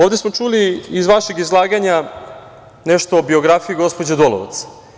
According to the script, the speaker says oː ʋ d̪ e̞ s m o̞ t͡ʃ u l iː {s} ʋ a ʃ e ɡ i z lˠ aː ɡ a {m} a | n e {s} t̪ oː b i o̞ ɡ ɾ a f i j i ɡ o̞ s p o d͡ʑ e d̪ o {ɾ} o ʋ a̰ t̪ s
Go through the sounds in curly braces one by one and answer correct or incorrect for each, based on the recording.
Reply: incorrect: z, incorrect: ɲ, incorrect: ʃ, incorrect: l

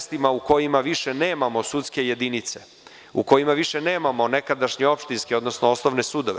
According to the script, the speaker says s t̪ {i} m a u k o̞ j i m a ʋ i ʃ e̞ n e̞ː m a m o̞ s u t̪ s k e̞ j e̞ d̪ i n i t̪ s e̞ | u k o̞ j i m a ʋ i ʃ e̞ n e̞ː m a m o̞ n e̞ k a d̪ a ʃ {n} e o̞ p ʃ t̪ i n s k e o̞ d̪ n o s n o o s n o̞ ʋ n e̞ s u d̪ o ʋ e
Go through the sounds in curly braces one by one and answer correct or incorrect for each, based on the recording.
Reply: correct, incorrect: ɲ

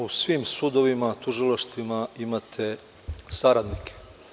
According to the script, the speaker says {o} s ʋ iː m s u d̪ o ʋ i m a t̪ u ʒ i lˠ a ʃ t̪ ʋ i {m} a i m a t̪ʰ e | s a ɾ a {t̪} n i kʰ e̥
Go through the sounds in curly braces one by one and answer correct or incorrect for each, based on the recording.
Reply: incorrect: u, correct, incorrect: d̪

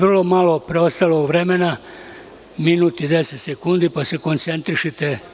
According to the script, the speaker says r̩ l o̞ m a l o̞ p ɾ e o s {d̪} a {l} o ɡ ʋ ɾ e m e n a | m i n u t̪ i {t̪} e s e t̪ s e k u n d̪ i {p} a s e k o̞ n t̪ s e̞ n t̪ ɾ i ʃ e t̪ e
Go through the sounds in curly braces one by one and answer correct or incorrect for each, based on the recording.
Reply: incorrect: t̪, correct, incorrect: d̪, correct

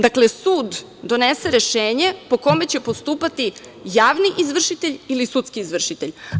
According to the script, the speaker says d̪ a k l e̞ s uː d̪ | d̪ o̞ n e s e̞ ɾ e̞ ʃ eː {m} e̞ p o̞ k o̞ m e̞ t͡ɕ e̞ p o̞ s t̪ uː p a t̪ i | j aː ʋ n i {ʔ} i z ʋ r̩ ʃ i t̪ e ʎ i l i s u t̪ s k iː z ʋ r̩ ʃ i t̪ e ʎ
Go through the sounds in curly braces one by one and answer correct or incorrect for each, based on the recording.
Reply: incorrect: ɲ, correct

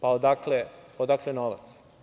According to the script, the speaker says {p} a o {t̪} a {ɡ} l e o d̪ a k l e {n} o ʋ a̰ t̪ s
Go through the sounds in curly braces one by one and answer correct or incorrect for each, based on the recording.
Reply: correct, incorrect: d̪, incorrect: k, correct

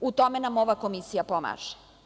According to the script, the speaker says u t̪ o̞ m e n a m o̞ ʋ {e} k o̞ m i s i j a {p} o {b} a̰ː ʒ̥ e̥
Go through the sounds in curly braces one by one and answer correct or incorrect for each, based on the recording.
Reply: incorrect: a, correct, incorrect: m

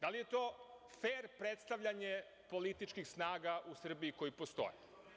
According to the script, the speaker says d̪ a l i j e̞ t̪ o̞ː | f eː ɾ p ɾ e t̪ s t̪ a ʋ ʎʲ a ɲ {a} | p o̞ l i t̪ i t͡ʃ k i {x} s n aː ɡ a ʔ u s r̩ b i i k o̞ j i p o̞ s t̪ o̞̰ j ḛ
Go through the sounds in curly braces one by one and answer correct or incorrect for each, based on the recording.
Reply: incorrect: e, correct

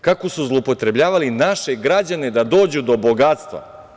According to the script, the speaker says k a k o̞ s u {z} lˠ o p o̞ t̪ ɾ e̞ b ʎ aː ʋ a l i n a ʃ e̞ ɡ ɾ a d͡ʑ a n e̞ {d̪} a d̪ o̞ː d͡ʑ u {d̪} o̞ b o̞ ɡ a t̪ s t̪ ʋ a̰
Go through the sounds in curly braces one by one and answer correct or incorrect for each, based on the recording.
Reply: correct, correct, correct

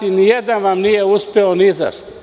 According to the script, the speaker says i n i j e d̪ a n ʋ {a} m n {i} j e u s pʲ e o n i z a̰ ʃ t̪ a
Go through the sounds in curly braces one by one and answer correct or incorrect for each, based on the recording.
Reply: correct, correct

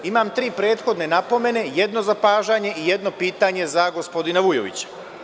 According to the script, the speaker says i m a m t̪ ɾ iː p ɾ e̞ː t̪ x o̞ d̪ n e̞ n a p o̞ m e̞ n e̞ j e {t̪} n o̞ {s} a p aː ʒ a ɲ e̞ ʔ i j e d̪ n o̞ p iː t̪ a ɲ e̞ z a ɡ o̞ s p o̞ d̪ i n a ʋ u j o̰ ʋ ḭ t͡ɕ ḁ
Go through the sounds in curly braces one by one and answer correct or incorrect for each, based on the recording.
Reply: incorrect: d̪, incorrect: z

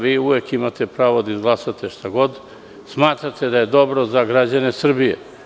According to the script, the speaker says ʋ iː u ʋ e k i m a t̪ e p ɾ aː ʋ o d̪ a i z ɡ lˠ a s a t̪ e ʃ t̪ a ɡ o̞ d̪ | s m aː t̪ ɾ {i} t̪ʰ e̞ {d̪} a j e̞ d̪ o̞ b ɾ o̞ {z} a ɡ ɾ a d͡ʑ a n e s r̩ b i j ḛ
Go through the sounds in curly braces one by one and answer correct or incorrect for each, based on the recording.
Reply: incorrect: a, correct, correct

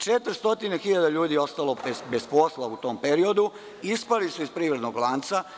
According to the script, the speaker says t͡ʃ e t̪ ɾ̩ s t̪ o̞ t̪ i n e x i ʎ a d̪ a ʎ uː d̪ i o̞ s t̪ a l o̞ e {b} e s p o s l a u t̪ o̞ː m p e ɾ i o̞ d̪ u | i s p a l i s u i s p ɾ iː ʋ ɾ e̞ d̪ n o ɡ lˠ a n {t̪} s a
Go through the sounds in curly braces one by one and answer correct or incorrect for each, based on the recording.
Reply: correct, correct

